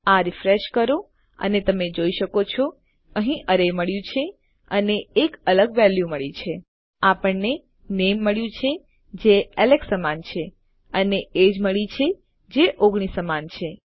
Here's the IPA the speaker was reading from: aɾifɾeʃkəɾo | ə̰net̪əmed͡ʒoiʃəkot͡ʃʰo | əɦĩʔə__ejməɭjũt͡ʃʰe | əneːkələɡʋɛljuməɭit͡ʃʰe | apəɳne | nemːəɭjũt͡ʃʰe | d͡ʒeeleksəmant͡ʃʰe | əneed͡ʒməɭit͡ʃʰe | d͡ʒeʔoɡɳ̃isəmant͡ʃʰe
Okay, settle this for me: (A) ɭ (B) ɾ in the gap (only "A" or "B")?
B